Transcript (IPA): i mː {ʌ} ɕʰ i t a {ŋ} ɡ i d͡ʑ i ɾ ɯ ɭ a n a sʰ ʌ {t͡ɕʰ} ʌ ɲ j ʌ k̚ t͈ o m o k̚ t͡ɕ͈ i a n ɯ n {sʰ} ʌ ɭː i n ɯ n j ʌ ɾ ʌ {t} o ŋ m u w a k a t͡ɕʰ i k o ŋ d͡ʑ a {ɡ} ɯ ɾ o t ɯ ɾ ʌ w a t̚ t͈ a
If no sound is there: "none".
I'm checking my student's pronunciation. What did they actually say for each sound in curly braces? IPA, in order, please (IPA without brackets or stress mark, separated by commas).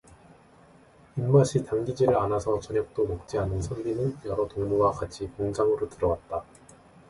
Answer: a, ŋ, t͡ɕ, sʰ, t, ŋ